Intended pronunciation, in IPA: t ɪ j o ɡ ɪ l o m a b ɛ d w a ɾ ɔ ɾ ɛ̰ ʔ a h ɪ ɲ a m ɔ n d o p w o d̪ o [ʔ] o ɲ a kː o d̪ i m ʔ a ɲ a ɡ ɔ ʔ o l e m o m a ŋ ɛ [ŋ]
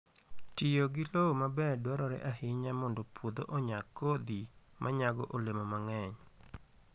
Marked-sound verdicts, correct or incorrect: correct, incorrect

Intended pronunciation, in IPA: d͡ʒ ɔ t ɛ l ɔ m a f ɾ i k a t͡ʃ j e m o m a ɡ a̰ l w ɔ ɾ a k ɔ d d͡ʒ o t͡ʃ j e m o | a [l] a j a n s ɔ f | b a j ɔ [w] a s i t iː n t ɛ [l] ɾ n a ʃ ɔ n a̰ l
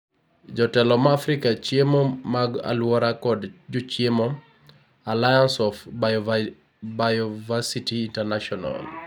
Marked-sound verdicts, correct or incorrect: correct, incorrect, incorrect

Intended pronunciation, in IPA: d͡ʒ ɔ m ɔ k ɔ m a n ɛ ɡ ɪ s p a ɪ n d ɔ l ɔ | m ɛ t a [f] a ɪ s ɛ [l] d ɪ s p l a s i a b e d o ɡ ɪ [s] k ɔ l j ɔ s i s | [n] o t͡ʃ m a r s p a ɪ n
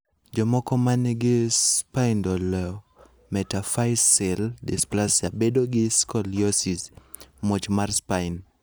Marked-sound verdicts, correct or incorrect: correct, correct, correct, incorrect

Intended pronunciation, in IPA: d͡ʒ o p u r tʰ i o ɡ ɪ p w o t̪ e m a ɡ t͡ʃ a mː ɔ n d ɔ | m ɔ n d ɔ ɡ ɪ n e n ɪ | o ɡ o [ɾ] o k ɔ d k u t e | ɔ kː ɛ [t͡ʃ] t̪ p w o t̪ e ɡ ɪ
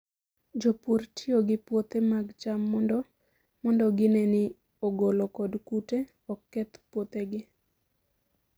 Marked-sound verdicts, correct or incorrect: incorrect, incorrect

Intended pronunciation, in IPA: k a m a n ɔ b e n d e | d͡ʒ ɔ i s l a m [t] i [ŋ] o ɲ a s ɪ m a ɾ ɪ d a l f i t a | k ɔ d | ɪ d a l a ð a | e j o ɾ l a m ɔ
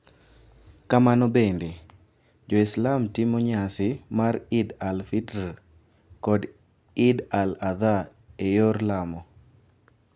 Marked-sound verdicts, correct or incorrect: correct, incorrect

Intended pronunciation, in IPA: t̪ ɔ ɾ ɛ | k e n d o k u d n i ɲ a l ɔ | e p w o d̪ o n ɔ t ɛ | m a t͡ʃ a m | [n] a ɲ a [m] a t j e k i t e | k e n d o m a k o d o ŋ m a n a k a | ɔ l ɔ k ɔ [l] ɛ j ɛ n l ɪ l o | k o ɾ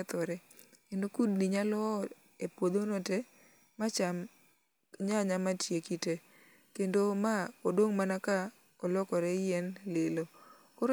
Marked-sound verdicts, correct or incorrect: incorrect, correct, incorrect

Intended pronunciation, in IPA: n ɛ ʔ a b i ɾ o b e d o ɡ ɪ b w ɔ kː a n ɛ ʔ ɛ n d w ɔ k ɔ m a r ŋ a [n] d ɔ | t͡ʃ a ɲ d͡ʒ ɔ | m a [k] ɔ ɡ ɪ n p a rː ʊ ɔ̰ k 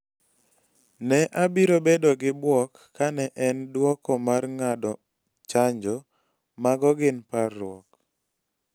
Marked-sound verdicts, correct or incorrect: incorrect, incorrect

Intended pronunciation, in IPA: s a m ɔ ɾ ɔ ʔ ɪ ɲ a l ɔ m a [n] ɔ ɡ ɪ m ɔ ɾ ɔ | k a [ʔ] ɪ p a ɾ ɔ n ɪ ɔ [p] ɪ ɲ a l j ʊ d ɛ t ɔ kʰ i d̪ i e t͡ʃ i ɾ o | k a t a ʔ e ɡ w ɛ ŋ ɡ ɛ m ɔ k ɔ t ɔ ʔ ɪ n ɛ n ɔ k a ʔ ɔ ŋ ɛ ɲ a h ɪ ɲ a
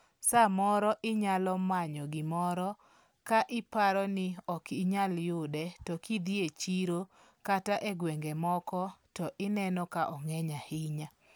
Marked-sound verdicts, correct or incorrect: incorrect, correct, incorrect

